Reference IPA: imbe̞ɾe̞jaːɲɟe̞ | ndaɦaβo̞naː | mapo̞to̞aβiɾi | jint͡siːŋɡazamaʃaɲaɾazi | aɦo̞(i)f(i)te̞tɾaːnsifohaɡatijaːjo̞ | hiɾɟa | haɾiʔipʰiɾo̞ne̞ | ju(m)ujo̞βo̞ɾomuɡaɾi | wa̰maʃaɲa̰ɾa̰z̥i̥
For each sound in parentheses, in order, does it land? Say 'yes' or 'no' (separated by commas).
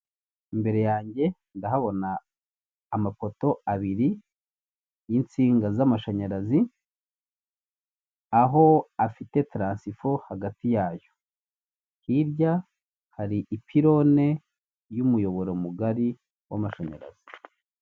no, yes, yes